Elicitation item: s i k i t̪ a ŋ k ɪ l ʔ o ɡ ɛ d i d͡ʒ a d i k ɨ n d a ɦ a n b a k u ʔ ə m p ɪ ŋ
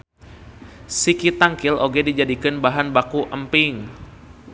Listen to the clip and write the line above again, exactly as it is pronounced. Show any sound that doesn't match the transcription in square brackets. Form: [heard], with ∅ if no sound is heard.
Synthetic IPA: s i k i t̪ a ŋ k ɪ l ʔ o ɡ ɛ d i d͡ʒ a d i k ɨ n [b] a ɦ a n b a k u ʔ ə m p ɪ ŋ